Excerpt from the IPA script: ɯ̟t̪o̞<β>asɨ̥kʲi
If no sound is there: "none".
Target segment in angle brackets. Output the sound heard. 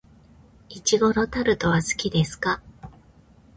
β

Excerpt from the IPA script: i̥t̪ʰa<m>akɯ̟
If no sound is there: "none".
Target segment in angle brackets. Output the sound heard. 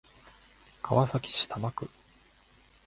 m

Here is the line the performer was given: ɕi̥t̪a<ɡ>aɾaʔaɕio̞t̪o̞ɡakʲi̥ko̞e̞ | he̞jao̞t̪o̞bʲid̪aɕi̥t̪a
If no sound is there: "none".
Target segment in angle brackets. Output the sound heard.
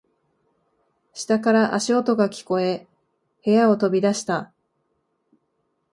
k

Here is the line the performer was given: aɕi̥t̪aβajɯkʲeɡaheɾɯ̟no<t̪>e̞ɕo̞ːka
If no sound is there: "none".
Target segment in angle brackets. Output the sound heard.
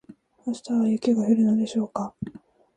d̪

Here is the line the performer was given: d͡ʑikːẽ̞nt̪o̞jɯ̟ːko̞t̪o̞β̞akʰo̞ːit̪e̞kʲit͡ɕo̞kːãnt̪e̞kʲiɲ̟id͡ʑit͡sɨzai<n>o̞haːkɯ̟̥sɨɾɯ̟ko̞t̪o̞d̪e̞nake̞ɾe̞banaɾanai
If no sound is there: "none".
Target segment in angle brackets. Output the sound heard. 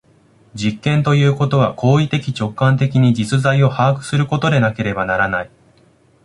none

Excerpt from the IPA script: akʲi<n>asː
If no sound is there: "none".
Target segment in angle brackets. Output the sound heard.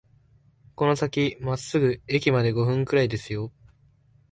m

